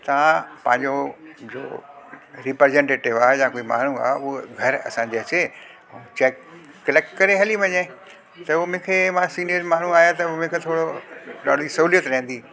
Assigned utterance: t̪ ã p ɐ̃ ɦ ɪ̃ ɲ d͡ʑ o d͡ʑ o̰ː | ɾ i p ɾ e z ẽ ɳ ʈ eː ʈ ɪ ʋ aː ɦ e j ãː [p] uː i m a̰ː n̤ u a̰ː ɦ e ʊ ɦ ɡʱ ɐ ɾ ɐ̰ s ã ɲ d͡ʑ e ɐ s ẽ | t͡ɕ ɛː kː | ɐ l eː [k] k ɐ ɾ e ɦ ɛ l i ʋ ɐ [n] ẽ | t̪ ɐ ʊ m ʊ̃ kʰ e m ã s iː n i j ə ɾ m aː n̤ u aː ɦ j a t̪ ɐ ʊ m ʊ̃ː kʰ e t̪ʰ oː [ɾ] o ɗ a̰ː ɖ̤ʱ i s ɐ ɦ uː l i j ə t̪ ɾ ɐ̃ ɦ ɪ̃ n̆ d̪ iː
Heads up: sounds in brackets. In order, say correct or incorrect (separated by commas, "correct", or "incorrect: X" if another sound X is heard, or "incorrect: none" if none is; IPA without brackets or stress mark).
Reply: incorrect: k, correct, incorrect: ɲ, incorrect: ɽ